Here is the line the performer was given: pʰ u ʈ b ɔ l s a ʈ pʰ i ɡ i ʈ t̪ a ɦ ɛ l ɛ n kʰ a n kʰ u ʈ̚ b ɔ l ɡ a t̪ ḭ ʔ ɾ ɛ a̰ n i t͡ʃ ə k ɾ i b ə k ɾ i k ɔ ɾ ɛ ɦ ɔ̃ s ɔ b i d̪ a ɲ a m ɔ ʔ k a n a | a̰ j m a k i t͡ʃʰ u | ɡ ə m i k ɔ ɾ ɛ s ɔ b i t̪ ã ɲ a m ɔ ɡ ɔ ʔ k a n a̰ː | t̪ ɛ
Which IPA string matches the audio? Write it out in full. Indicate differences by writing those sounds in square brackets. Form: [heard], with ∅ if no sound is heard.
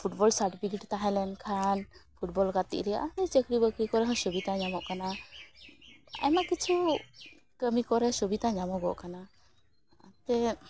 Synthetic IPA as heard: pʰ u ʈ b ɔ l s a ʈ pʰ i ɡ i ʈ t̪ a ɦ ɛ l ɛ n kʰ a n [pʰ] u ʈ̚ b ɔ l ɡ a t̪ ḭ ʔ ɾ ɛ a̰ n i t͡ʃ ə k ɾ i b ə k ɾ i k ɔ ɾ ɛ ɦ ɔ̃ s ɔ b i [t̪] a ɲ a m ɔ ʔ k a n a | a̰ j m a k i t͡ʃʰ u | [k] ə m i k ɔ ɾ ɛ s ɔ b i t̪ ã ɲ a m ɔ ɡ ɔ ʔ k a n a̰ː | t̪ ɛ